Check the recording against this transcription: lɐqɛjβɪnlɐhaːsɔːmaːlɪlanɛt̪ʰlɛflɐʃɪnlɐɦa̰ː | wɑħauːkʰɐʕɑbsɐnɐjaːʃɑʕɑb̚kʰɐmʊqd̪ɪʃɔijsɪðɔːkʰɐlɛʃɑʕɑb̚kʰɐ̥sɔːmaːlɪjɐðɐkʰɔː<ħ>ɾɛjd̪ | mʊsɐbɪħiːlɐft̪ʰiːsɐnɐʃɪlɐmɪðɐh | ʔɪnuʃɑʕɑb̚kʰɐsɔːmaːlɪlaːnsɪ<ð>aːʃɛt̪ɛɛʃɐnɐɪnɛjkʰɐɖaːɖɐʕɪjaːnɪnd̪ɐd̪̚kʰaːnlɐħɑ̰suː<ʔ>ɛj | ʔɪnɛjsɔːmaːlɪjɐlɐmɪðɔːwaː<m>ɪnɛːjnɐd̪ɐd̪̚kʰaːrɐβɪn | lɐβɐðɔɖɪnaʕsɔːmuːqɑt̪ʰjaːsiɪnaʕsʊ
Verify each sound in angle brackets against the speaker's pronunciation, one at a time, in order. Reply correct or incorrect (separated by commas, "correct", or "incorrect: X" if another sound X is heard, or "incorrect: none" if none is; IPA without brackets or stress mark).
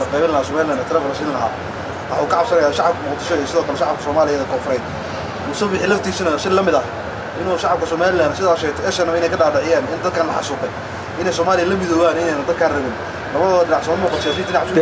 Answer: incorrect: f, correct, incorrect: q, incorrect: n